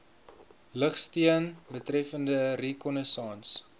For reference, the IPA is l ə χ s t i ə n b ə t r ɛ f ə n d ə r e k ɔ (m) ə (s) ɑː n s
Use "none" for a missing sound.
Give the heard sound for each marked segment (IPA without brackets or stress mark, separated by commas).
n, s